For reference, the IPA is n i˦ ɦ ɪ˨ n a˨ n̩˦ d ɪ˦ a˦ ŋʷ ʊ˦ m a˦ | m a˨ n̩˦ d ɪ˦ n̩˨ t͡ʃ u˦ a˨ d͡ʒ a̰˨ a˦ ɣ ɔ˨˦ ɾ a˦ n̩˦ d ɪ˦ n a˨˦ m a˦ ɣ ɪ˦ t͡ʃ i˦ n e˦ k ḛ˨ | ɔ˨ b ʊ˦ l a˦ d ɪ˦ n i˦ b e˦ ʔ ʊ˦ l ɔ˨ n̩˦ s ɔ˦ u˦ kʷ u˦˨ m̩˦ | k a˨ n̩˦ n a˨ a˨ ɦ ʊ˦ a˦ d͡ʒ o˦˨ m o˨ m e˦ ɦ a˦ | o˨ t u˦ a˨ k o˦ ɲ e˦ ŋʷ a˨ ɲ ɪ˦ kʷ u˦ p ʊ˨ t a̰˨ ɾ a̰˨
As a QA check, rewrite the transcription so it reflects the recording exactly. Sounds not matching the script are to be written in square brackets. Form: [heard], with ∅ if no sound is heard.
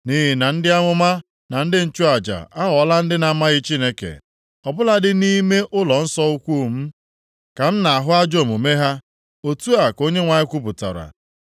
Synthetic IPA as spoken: n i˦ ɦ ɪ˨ n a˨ n̩˦ d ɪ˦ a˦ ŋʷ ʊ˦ m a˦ | [n] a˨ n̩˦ d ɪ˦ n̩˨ t͡ʃ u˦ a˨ d͡ʒ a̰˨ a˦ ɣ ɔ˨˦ [l] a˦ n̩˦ d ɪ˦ n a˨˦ m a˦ ɣ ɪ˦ t͡ʃ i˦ n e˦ k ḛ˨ | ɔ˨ b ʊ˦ l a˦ d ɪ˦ n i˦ [m] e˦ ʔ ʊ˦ l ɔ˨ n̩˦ s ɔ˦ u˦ kʷ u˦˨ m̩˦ | k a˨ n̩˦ n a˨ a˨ ɦ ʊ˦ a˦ d͡ʒ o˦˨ m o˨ m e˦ ɦ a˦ | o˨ t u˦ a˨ k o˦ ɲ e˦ ŋʷ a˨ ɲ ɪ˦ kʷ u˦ p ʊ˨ t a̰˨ ɾ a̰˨